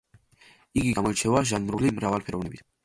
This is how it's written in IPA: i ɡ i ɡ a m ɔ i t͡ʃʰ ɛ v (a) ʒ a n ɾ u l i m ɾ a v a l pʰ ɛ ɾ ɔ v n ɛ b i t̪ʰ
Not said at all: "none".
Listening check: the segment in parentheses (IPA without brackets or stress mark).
a